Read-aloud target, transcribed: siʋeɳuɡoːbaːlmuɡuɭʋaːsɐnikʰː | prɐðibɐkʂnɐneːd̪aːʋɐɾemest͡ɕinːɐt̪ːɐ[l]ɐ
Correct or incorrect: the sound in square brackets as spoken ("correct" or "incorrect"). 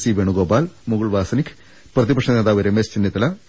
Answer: correct